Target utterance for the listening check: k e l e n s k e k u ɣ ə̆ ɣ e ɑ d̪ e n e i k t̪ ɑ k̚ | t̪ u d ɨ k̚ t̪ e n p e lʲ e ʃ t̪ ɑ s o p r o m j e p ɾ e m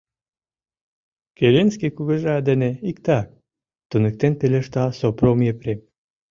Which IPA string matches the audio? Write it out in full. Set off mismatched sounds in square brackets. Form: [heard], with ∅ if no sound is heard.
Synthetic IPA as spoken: k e l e n s k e k u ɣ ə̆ [ʒ] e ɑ d̪ e n e i k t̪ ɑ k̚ | t̪ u [n] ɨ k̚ t̪ e n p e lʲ e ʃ t̪ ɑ s o p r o m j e p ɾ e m